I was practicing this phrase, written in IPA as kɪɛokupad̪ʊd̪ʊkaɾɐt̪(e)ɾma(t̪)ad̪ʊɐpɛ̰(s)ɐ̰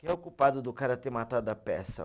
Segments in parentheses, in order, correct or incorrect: correct, correct, correct

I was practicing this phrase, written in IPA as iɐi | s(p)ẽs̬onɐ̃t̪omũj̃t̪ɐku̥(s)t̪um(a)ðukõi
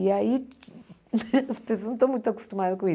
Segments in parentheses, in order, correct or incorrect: correct, incorrect, correct

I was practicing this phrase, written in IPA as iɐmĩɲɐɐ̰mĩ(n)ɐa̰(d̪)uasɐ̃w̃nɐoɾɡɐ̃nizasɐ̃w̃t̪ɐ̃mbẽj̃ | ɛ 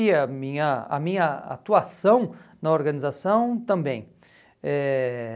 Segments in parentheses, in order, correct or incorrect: incorrect, incorrect

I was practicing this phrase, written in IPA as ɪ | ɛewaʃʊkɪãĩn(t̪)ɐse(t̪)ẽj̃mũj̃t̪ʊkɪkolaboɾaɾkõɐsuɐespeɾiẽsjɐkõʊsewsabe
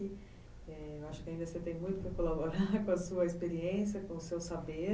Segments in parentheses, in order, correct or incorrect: incorrect, correct

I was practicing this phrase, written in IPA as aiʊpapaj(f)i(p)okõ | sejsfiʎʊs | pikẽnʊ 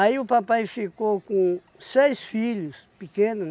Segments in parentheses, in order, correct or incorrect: correct, incorrect

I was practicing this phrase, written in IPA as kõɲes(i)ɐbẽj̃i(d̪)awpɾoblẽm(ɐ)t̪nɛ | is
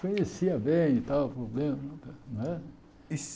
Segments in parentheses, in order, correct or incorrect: correct, incorrect, correct

